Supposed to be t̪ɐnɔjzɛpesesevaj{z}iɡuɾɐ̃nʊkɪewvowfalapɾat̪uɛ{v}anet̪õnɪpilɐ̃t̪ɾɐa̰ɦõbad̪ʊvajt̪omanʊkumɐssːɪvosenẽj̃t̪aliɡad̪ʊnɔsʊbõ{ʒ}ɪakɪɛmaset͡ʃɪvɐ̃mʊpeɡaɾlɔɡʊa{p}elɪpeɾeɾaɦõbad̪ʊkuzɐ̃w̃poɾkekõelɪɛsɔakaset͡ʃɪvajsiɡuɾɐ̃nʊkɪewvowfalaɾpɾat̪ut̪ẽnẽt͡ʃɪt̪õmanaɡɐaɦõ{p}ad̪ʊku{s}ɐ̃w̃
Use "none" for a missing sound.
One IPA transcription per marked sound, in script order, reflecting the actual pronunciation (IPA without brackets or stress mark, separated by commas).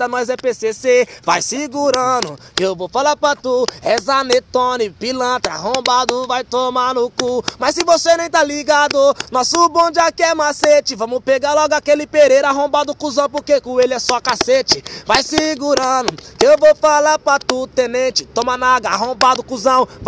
s, z, d͡ʒ, k, b, z